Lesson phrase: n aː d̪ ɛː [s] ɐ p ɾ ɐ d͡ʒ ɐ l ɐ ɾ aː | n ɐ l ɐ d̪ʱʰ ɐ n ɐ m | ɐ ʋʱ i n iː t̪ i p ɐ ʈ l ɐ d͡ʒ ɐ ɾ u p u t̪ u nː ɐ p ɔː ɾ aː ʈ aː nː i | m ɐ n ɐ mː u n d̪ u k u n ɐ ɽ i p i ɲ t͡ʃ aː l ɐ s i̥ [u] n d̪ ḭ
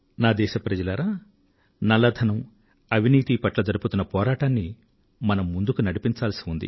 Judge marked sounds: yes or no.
no, yes

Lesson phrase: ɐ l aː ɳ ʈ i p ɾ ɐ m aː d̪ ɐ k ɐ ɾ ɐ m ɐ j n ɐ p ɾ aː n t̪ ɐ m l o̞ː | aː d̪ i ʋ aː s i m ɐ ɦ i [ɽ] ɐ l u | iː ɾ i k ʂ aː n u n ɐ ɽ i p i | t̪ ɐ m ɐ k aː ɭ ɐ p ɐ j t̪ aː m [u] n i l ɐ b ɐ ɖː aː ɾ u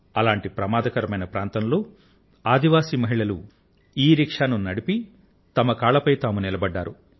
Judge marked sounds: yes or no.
no, yes

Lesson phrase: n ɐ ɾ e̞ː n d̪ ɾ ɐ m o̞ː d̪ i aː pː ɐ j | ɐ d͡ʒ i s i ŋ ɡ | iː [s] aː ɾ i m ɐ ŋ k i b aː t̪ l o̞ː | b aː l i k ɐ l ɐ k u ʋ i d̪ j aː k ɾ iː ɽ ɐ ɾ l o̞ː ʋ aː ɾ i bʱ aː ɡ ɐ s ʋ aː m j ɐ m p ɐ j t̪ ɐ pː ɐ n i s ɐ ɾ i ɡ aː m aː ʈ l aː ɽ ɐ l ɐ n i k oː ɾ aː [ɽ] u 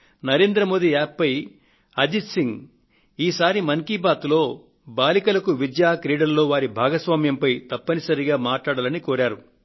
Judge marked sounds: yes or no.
yes, no

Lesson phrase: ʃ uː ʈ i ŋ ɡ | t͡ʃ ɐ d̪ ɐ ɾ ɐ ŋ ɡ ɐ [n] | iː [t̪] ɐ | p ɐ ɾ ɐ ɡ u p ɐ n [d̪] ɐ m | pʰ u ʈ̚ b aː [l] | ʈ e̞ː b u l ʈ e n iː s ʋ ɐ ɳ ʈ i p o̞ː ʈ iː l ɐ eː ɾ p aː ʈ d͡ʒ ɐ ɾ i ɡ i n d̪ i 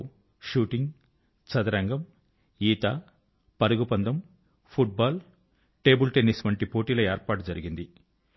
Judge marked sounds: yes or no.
no, yes, yes, yes

